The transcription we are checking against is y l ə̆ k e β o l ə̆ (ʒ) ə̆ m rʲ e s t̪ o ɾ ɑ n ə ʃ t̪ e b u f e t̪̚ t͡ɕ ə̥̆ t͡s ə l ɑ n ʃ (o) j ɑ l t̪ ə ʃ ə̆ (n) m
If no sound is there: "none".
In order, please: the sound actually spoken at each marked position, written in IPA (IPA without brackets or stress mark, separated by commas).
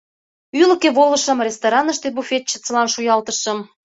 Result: ʃ, u, none